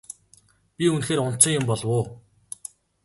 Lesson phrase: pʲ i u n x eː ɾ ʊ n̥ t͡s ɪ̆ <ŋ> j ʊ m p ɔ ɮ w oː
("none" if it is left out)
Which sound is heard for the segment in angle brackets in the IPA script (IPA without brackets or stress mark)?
ŋ